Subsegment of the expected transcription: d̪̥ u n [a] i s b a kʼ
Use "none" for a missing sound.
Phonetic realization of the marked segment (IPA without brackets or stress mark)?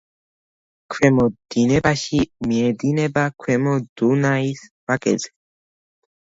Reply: a